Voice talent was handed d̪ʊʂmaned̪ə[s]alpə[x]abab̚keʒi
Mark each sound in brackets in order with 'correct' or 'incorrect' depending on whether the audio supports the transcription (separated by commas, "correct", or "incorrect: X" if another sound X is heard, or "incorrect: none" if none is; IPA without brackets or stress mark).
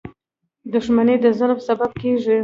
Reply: incorrect: z, incorrect: s